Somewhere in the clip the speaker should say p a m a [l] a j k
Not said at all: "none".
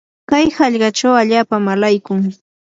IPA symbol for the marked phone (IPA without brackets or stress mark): l